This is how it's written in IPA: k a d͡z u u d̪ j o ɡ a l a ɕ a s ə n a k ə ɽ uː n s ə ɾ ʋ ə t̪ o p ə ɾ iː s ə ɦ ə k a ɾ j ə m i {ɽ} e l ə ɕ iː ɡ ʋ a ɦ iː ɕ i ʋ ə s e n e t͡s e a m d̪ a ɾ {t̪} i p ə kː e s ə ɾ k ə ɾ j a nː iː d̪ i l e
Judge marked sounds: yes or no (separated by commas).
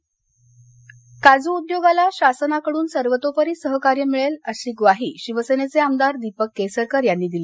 no, no